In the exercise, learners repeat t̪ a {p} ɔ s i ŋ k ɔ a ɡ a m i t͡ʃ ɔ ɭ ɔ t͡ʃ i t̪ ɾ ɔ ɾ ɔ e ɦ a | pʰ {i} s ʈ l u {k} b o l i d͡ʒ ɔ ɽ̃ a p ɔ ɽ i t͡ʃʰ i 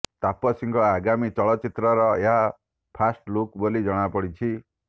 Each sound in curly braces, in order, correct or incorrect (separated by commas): correct, incorrect, correct